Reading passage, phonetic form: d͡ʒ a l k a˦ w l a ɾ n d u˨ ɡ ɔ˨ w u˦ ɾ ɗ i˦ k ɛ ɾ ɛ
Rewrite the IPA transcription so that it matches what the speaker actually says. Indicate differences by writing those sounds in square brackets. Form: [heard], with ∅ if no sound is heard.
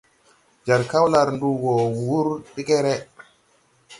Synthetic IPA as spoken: d͡ʒ a [ɾ] k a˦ w l a ɾ n d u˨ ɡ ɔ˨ w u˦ ɾ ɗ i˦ k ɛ ɾ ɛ